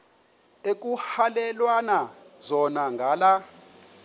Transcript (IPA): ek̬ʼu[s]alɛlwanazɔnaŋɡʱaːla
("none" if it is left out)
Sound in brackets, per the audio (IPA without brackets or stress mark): h